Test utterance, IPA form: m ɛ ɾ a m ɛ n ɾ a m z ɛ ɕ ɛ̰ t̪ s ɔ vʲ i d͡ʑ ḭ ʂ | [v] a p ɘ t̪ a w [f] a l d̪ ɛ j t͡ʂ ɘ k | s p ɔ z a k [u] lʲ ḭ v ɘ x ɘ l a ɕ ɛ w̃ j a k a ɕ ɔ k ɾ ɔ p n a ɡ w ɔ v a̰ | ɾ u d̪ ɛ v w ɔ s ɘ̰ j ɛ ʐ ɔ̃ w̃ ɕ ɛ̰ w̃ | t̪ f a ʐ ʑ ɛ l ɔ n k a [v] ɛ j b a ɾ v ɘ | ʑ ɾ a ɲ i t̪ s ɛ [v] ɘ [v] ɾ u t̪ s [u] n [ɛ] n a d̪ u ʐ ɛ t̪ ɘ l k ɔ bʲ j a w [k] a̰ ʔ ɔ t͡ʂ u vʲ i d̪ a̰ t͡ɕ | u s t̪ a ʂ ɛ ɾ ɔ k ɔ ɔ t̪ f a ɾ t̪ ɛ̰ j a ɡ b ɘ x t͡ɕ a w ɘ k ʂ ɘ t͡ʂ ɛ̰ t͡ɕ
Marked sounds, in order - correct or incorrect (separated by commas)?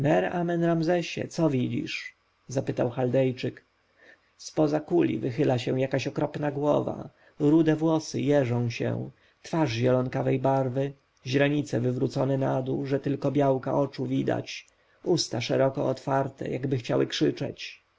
incorrect, incorrect, correct, correct, correct, correct, incorrect, correct, correct